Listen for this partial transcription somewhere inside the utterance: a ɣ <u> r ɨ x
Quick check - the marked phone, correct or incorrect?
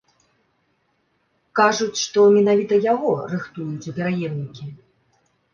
incorrect: ɔ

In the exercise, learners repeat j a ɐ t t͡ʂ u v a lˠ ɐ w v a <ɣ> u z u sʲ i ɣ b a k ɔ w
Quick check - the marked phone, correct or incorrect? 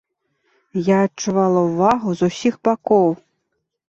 correct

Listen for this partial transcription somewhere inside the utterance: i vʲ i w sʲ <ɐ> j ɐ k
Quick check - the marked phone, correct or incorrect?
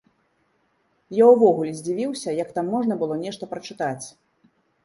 correct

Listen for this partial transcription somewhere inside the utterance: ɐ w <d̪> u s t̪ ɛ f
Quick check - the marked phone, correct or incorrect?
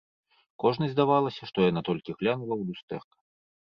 correct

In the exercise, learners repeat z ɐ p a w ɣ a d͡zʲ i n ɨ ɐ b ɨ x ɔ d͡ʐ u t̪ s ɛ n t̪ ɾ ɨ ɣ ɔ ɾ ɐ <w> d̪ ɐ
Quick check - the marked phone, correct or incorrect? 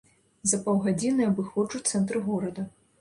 incorrect: none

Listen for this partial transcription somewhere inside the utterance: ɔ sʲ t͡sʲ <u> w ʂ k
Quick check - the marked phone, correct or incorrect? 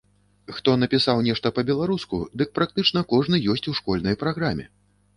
correct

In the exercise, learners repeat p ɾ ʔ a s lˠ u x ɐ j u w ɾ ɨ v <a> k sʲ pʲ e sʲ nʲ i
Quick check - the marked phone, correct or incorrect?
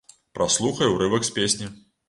incorrect: ɐ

